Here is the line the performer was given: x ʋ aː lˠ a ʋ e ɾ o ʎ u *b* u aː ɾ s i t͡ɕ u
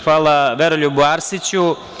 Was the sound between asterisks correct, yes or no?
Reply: yes